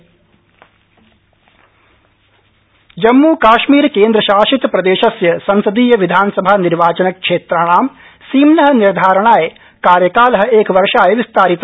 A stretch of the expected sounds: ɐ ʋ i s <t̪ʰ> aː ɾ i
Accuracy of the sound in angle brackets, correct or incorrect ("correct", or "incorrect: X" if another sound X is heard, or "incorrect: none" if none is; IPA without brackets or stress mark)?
incorrect: t̪